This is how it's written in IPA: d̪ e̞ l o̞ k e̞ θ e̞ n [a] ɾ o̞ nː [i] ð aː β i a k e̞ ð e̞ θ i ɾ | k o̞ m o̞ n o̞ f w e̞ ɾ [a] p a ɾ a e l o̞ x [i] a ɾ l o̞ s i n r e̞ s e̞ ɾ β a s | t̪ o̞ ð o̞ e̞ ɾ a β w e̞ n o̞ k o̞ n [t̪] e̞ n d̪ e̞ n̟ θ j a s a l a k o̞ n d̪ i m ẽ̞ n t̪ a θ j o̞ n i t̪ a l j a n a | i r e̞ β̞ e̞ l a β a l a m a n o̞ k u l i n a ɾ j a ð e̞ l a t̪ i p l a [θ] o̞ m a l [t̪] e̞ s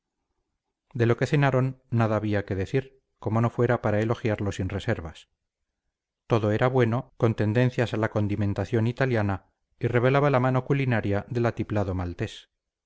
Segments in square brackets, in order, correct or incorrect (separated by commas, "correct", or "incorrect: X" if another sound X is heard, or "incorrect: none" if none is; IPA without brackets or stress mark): correct, incorrect: a, correct, incorrect: j, correct, incorrect: ð, correct